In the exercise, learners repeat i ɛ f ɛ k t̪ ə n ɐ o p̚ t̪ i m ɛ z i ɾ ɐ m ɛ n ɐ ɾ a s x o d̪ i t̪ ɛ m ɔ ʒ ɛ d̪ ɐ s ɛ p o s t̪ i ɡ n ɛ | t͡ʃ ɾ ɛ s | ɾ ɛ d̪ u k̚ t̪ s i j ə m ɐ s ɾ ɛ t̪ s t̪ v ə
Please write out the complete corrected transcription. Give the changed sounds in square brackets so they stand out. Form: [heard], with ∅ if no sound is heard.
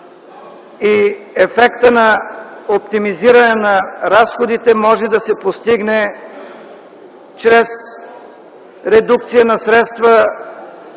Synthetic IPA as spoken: i ɛ f ɛ k t̪ ə n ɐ o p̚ t̪ i m [i] z i ɾ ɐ [n] ɛ n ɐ ɾ a s x o d̪ i t̪ ɛ m ɔ ʒ ɛ d̪ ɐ s ɛ p o s t̪ i ɡ n ɛ | t͡ʃ ɾ ɛ s | ɾ ɛ d̪ u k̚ t̪ s i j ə [n] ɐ s ɾ ɛ t̪ s t̪ v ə